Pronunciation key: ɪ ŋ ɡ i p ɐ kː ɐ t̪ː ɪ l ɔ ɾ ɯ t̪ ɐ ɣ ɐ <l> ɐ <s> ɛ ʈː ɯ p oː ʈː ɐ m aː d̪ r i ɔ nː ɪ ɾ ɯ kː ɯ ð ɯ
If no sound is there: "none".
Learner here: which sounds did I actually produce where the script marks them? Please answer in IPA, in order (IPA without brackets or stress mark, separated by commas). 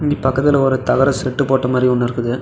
ɾ, s